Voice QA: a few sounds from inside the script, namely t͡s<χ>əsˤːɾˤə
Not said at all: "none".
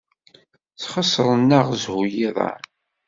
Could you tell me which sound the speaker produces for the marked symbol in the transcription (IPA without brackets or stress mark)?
χ